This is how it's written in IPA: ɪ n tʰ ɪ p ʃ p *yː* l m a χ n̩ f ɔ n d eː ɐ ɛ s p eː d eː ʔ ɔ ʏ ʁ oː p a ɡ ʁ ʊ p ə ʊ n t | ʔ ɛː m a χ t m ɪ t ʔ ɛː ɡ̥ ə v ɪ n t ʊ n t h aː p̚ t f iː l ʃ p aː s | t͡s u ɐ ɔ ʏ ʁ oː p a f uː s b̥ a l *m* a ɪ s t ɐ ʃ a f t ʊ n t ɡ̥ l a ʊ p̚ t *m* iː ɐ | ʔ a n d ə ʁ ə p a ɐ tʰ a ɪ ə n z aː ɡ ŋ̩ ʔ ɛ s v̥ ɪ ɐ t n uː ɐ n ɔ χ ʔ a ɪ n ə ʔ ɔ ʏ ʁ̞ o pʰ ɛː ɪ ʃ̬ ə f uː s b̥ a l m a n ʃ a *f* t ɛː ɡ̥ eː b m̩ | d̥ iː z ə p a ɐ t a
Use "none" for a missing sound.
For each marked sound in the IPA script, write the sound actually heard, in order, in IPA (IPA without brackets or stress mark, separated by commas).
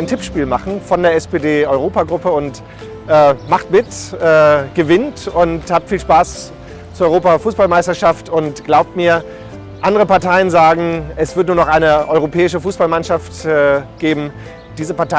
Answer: iː, m, m, f